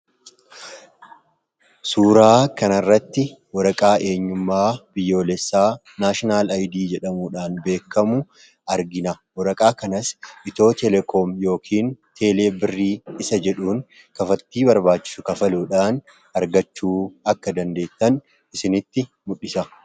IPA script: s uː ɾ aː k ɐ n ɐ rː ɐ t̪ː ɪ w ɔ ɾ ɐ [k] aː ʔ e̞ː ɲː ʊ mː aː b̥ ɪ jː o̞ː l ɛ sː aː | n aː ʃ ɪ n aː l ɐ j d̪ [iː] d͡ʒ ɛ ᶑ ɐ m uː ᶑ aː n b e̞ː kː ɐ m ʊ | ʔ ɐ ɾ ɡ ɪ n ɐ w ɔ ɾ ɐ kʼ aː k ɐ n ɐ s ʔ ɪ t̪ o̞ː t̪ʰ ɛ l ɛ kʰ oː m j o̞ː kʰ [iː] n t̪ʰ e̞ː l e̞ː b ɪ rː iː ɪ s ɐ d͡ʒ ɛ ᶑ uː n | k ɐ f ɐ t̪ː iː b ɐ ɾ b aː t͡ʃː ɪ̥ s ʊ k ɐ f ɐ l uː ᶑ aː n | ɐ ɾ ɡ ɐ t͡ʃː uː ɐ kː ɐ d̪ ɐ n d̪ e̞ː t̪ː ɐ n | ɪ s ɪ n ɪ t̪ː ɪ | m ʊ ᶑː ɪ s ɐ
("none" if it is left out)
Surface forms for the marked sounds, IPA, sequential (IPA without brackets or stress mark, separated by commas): kʼ, iː, iː